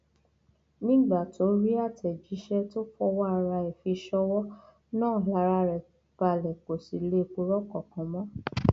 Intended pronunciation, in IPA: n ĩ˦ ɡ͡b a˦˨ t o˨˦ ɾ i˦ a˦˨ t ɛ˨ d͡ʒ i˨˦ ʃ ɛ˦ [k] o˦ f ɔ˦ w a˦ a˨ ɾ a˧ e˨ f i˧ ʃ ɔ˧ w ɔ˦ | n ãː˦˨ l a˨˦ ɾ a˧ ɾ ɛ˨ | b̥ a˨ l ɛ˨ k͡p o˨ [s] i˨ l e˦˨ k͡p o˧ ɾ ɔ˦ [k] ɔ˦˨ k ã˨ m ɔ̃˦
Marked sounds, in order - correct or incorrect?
incorrect: t, correct, correct

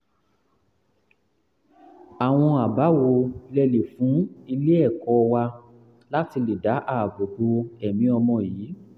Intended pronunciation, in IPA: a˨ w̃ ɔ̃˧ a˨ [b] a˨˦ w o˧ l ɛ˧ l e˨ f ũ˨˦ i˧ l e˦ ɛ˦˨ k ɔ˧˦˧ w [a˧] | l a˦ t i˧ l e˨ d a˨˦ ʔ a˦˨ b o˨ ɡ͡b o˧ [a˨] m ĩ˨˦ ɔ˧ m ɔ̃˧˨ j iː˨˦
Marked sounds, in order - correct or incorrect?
correct, correct, incorrect: ɛ˨

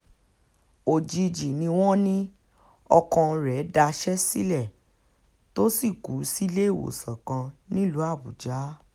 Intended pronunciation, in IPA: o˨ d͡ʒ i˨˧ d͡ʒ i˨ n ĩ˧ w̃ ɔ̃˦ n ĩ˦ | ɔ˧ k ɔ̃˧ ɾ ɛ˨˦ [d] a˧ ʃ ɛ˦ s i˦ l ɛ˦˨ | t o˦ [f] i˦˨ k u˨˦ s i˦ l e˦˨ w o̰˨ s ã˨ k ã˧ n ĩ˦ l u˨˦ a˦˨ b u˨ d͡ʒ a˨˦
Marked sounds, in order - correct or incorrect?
correct, incorrect: s

